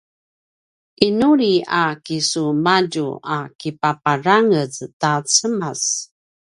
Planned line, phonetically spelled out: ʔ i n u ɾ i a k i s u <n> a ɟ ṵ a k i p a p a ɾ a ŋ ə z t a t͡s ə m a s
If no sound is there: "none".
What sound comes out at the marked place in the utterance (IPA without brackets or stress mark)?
m